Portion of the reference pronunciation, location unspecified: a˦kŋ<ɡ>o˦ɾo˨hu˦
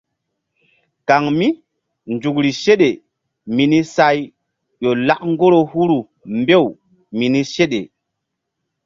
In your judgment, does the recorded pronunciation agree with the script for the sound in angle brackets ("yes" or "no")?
yes